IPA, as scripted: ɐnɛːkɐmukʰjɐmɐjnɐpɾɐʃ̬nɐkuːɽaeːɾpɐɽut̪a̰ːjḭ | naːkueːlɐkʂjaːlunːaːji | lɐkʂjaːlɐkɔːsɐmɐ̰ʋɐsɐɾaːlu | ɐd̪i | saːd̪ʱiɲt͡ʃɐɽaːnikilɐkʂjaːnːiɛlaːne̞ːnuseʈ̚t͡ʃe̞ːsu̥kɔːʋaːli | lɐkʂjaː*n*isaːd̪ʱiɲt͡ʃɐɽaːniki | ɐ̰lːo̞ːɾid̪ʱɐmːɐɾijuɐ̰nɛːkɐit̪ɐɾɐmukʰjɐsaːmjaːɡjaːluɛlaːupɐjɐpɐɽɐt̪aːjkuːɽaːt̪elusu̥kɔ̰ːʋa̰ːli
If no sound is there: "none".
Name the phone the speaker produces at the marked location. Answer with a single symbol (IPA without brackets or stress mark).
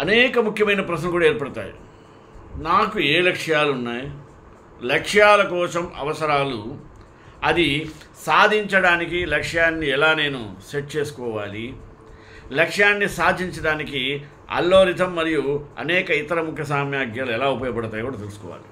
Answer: nː